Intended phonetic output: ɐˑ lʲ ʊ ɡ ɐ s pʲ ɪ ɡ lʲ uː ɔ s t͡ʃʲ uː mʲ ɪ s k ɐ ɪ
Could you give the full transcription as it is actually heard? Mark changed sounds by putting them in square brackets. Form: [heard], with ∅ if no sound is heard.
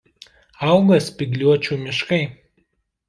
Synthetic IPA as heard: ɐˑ [∅] ʊ ɡ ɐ s pʲ ɪ ɡ lʲ [u] ɔ [∅] t͡ʃʲ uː mʲ ɪ [ʃ] k ɐ ɪ